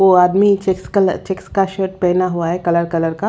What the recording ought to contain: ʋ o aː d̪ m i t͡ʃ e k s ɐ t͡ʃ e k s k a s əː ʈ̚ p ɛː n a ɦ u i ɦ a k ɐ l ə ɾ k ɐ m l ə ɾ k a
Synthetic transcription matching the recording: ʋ o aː d̪ m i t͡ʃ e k s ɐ t͡ʃ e k s k a ʃ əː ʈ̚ p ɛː n a ɦ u a ɦ ɛ k ɐ l ə ɾ k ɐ l ə ɾ k a